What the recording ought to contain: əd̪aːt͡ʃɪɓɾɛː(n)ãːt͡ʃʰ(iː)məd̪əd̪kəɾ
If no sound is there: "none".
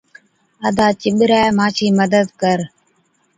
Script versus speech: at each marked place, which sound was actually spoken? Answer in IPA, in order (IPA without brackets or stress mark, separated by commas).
m, iː